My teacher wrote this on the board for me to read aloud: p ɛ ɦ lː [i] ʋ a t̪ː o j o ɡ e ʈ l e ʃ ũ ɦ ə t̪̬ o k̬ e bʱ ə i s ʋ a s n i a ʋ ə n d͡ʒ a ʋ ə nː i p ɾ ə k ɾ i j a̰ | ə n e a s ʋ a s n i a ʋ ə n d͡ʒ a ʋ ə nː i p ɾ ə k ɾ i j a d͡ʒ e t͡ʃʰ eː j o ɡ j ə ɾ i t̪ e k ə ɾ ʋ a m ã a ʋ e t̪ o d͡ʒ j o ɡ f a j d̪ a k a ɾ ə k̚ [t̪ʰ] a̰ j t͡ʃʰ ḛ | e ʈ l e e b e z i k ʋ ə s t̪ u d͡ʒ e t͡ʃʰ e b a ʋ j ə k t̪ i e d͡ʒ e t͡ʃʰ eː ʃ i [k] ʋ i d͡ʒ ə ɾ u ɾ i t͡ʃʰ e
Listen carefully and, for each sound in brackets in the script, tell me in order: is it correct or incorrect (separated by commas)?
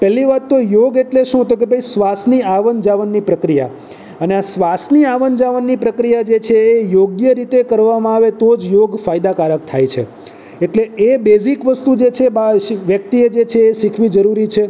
correct, correct, incorrect